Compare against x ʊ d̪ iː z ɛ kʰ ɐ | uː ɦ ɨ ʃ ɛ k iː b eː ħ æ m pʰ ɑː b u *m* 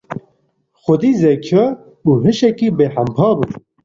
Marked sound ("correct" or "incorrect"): incorrect